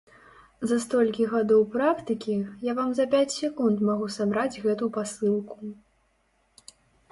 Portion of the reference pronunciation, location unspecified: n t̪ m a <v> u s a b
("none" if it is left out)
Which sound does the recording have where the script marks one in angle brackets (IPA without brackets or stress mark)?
ɣ